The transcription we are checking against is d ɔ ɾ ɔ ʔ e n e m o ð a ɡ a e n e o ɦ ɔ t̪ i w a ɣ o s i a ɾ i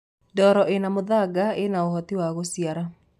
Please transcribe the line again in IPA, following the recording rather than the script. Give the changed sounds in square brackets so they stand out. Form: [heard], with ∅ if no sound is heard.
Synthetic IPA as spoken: d ɔ ɾ ɔ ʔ e n [a] m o ð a ɡ a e n [a] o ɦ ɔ t̪ i w a ɣ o s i a ɾ [a]

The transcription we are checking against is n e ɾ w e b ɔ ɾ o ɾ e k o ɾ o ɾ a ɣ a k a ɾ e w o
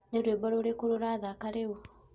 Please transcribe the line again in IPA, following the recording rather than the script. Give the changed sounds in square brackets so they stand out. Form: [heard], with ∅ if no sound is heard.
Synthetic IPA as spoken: n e ɾ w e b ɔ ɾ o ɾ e k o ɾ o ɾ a [ð] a k a ɾ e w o

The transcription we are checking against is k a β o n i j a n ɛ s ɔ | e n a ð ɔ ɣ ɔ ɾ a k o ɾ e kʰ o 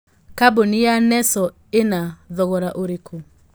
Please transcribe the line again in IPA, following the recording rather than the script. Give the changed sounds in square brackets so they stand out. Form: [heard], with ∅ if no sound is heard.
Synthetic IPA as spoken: k a [b] o n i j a n ɛ s ɔ | e n a ð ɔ ɣ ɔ ɾ a [ʔ] o ɾ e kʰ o

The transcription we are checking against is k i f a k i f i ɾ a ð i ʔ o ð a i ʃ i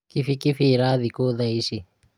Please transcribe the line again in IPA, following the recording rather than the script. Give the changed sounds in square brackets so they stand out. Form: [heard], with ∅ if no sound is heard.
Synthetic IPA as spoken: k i f [i] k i f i ɾ a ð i [k] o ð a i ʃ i

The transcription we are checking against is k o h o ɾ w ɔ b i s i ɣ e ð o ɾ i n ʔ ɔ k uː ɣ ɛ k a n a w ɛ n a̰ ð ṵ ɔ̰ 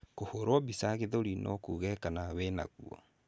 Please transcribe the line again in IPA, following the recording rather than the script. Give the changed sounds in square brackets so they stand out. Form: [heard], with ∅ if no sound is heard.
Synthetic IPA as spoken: k o h o ɾ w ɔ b i s [a] ɣ e ð o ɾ i n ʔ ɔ k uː ɣ ɛ k a n a w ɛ n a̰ [ɣ] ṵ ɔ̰

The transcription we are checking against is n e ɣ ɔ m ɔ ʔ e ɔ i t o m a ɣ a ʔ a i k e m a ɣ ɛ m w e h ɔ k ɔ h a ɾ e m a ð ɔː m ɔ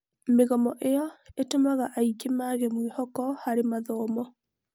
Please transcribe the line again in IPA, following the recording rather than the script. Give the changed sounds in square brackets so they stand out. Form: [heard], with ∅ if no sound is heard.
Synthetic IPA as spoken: [m] e ɣ ɔ m ɔ ʔ e ɔ [e] t o m a ɣ a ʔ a i k e m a ɣ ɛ m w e h ɔ k ɔ h a ɾ e m a ð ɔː m ɔ

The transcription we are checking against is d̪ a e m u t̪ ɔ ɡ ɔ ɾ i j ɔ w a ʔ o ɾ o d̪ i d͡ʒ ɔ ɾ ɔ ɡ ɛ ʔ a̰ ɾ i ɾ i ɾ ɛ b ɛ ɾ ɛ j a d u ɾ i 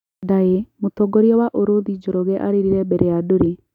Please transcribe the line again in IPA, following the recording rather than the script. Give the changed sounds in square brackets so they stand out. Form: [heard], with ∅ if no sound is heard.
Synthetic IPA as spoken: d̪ a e m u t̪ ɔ ɡ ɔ ɾ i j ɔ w a ʔ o ɾ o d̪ i d͡ʒ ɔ ɾ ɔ ɡ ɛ ʔ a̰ ɾ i ɾ i ɾ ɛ b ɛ ɾ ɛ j a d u ɾ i

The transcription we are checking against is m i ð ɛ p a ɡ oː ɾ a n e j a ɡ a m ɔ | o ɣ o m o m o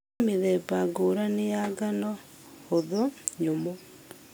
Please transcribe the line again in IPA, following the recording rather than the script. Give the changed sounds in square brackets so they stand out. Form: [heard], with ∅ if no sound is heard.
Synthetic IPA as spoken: m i ð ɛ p a ɡ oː ɾ a n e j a ɡ a [n] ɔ | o [ð] o [ɲ] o m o

